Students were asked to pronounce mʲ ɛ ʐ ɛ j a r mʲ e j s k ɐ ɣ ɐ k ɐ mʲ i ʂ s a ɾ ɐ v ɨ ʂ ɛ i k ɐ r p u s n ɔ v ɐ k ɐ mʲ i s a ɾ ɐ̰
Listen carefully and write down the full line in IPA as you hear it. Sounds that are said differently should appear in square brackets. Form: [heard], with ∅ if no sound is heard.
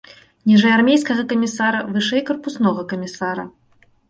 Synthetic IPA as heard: [nʲ] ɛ ʐ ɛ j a r mʲ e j s k ɐ ɣ ɐ k ɐ mʲ i [∅] s a ɾ ɐ v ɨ ʂ ɛ [j] k ɐ r p u s n ɔ [ɣ] ɐ k ɐ mʲ i s a ɾ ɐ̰